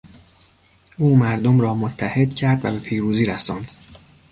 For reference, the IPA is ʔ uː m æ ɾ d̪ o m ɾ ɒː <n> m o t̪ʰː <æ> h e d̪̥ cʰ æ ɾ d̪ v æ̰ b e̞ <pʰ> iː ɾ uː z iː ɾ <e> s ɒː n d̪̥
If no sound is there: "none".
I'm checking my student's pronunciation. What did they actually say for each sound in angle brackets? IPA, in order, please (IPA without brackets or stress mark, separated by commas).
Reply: none, æ, pʰ, æ